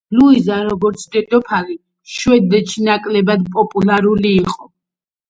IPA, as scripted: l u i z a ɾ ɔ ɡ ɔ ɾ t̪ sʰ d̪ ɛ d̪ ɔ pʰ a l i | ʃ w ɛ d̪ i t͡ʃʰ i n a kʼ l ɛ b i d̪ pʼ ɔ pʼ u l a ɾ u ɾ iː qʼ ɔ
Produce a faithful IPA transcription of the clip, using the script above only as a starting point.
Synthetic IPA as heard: l u i z a ɾ ɔ ɡ ɔ ɾ t̪ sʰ d̪ ɛ d̪ ɔ pʰ a l i | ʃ w ɛ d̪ ɛ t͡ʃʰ i n a kʼ l ɛ b a d̪ pʼ ɔ pʼ u l a ɾ u l iː qʼ ɔ